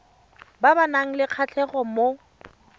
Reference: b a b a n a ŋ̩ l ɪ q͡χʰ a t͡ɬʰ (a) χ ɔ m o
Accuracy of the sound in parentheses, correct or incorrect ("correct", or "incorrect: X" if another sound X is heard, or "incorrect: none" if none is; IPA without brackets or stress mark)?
incorrect: ɛ